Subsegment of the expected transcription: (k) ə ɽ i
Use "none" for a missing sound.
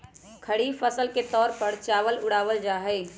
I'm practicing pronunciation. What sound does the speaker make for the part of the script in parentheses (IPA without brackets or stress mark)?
kʰ